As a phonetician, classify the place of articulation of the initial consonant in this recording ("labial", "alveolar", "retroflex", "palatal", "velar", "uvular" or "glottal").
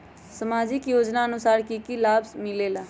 alveolar